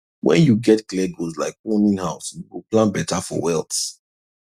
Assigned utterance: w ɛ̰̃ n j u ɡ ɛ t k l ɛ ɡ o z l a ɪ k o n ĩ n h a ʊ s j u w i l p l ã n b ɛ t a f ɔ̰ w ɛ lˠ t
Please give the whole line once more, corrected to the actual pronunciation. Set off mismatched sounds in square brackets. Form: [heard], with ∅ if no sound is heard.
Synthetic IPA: w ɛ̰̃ n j u ɡ ɛ t k l ɛ ɡ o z l a ɪ k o n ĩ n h a ʊ s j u w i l p l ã n b ɛ t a f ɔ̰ w ɛ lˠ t